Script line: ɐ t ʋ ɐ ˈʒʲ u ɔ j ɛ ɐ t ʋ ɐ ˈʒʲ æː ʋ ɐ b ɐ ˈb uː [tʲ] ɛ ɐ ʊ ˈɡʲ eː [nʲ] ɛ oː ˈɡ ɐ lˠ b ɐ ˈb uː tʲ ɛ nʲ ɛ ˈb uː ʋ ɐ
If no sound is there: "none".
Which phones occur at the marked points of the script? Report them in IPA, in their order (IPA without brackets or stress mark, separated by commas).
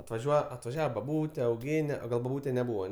tʲ, nʲ